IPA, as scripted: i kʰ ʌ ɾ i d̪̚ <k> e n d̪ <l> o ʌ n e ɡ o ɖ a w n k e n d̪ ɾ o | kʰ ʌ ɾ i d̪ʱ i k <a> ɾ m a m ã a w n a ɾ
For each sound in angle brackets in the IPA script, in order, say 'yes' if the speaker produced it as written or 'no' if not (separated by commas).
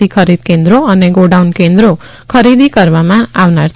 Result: yes, no, no